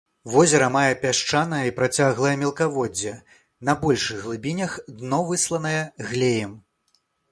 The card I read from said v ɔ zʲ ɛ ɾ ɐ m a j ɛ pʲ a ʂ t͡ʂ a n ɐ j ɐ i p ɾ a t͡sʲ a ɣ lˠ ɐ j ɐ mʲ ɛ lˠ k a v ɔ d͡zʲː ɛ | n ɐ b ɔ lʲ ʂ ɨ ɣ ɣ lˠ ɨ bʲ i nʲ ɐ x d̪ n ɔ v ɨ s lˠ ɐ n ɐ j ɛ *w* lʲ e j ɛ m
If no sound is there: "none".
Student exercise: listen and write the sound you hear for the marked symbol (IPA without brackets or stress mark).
ɣ